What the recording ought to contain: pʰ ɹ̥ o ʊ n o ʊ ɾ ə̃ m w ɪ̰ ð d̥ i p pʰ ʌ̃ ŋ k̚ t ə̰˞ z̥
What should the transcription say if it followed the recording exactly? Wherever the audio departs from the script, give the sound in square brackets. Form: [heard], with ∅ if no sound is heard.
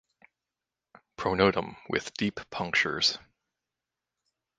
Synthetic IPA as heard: pʰ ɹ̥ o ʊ n o ʊ ɾ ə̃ m w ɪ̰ ð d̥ i p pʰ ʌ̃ ŋ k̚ [t͡ʃ] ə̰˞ z̥